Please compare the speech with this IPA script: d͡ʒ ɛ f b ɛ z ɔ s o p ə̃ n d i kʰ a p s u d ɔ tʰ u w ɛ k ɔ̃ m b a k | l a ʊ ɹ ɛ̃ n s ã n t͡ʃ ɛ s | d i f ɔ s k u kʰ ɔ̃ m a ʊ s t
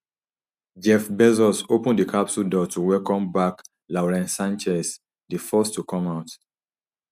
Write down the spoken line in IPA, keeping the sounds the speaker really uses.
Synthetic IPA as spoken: d͡ʒ ɛ f b ɛ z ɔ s o p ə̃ n d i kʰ a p s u d ɔ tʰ u w ɛ k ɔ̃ m b a k | l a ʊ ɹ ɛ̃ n s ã n t͡ʃ ɛ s | d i f ɔ s t u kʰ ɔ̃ m a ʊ t

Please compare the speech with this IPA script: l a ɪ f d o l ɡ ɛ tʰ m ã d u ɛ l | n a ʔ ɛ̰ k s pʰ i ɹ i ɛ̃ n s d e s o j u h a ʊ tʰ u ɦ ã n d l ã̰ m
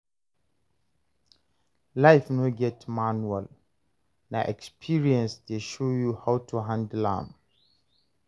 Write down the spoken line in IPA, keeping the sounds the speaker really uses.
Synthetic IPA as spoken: l a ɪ f n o ɡ ɛ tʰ m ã n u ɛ l | n a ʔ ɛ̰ k s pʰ i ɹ i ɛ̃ n s d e ʃ o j u h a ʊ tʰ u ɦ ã n d l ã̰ m

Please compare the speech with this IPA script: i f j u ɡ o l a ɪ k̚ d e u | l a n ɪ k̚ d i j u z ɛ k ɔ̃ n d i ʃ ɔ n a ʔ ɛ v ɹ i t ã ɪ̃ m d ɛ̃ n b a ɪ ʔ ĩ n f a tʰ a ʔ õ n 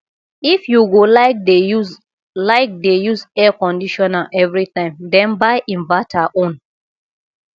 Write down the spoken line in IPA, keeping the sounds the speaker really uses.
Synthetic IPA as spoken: i f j u ɡ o l a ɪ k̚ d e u | l a ɪ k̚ d e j u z ɛ k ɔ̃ n d i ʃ ɔ n a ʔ ɛ v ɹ i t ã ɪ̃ m d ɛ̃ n b a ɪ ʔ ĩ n v a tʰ a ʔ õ n

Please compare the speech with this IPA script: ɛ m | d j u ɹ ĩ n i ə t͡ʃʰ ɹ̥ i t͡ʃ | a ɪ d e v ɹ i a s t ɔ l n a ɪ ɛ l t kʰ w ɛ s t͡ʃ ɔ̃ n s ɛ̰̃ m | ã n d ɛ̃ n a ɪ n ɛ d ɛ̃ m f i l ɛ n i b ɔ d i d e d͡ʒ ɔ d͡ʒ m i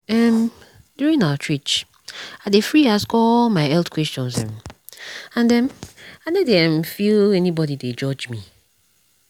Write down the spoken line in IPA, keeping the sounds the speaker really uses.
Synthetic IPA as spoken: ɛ m | d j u ɹ ĩ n a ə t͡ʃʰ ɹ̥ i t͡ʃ | a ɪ d e f ɹ i a s k ɔ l m a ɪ ɛ l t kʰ w ɛ s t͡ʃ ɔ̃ n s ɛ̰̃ m | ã n d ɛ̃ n a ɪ n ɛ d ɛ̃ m f i l ɛ n i b ɔ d i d e d͡ʒ ɔ d͡ʒ m i

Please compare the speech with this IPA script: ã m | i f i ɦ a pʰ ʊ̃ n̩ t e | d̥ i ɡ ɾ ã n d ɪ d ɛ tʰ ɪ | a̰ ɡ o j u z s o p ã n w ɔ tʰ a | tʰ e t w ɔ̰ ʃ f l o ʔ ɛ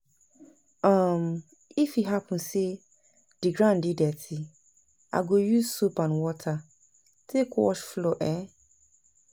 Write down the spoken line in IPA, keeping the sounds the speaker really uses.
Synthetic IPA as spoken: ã m | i f i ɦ a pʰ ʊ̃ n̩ s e | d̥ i ɡ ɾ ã n d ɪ d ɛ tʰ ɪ | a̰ ɡ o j u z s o p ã n w ɔ tʰ a | tʰ e k w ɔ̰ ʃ f l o ʔ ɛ

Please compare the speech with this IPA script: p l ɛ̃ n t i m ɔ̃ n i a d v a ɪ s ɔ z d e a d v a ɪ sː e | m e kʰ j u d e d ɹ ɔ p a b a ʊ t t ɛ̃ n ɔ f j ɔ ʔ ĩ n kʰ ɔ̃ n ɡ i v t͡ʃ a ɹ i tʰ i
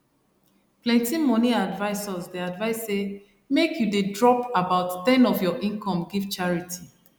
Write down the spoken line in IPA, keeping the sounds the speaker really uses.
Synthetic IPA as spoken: p l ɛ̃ n t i m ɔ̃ n i a d v a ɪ s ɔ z d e a d v a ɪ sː e | m e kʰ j u d e d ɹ ɔ p a b a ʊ t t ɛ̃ n ɔ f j ɔ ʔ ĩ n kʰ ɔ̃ m ɡ i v t͡ʃ a ɹ i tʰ i

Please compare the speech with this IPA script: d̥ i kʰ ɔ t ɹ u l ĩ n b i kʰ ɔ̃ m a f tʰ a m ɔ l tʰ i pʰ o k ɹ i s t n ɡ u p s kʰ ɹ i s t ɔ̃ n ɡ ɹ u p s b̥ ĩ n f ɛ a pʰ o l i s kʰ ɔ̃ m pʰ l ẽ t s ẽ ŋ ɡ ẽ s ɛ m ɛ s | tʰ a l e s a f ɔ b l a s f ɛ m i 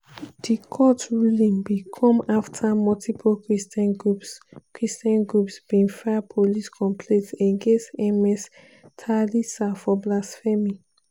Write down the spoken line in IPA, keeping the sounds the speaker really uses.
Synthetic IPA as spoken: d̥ i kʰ ɔ t ɹ u l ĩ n b i kʰ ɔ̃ m a f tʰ a m ɔ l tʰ i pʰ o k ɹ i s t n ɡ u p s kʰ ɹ i s t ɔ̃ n ɡ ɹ u p s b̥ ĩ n f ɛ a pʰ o l i s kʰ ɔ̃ m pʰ l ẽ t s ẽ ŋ ɡ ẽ s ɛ m ɛ s | tʰ a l i s a f ɔ b l a s f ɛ m i

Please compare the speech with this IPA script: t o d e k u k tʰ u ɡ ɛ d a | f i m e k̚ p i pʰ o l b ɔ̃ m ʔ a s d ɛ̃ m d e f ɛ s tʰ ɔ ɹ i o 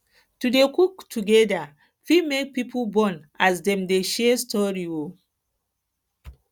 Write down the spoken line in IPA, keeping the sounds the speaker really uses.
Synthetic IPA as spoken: t u d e k u k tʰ u ɡ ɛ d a | f i m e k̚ p i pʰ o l b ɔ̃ n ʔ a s d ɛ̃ m d e ʃ ɛ s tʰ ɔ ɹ i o

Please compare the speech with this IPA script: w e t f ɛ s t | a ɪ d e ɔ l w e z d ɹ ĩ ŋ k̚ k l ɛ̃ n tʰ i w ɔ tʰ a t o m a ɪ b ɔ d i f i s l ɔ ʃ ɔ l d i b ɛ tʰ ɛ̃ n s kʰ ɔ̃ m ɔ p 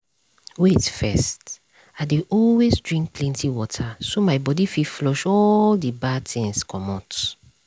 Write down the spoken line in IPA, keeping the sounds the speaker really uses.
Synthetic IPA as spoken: w e t f ɛ s t | a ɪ d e ɔ l w e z d ɹ ĩ ŋ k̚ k l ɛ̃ n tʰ i w ɔ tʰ a s o m a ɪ b ɔ d i f i f l ɔ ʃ ɔ l d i b a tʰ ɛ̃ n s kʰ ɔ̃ m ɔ t

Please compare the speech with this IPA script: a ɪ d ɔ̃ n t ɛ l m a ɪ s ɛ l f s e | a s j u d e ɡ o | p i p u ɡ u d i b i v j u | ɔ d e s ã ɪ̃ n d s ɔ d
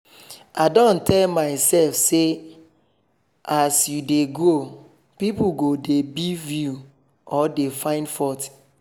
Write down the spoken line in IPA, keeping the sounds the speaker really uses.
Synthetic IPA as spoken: a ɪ d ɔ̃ n t ɛ l m a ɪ s ɛ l f s e | a s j u d e ɡ o | p i p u ɡ o d e b i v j u | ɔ d e f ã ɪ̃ n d f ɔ t

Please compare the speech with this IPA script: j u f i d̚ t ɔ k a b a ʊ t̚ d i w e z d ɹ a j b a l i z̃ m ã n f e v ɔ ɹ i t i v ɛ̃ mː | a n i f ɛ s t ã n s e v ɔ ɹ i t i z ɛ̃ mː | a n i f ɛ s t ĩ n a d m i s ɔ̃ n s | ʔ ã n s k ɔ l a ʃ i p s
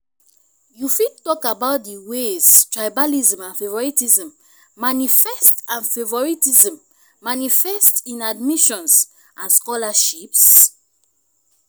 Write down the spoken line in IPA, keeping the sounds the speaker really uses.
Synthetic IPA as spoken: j u f i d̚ t ɔ k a b a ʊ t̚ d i w e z t ɹ a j b a l i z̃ m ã n f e v ɔ ɹ i t i z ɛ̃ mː | a n i f ɛ s t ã n f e v ɔ ɹ i t i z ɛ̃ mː | a n i f ɛ s t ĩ n a d m i ʃ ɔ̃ n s | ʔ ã n s k ɔ l a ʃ i p s

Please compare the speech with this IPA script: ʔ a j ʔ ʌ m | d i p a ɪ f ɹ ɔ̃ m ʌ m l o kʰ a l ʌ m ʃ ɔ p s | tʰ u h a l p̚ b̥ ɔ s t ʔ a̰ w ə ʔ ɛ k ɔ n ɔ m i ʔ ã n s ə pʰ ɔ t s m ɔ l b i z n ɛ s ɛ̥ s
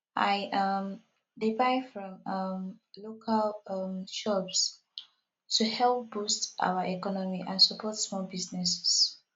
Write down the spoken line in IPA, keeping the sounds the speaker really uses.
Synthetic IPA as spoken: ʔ a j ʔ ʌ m | d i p a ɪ f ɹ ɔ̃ m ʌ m l o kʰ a l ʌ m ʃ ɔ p s | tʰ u h ɛ l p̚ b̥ u s t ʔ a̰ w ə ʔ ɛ k ɔ n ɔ m i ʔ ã n s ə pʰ ɔ t s m ɔ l b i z n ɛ s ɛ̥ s

